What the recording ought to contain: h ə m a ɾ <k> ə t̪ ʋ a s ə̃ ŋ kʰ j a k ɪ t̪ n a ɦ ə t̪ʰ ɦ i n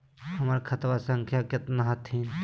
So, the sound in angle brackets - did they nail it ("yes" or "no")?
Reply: no